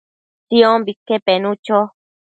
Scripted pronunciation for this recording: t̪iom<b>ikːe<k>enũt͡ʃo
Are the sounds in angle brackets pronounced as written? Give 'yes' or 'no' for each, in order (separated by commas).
yes, no